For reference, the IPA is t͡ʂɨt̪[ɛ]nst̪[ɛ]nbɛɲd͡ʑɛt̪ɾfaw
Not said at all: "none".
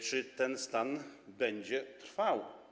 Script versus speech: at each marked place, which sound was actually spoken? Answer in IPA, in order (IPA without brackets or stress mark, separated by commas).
ɛ, a